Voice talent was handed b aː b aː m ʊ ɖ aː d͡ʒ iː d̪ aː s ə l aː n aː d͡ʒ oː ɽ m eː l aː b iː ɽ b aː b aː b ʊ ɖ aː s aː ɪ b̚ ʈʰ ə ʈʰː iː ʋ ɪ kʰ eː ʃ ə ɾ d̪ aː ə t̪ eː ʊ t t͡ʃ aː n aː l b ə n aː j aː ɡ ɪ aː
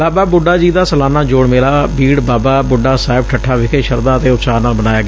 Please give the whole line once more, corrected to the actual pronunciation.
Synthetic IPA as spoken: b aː b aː b ʊ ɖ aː d͡ʒ iː d̪ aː s ə l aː n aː d͡ʒ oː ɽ m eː l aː b iː ɽ b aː b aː b ʊ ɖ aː s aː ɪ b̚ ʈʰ ə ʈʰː aː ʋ ɪ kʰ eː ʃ ə ɾ d̪ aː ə t̪ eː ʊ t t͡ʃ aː n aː l b ə n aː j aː ɡ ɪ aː